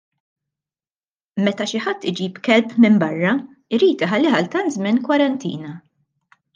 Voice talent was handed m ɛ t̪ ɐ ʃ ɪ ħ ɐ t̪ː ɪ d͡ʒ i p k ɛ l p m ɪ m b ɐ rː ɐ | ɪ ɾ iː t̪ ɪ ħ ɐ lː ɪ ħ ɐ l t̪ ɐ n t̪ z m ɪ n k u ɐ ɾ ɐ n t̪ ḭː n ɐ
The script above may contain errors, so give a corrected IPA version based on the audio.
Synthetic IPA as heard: m ɛ t̪ ɐ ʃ ɪ ħ ɐ t̪ː ɪ d͡ʒ iː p k ɛ l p m ɪ m b ɐ rː ɐ | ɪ ɾ iː t̪ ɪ ħ ɐ lː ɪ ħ ɐ l t̪ ɐ n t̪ z m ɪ n k w ɐ ɾ ɐ n t̪ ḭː n ɐ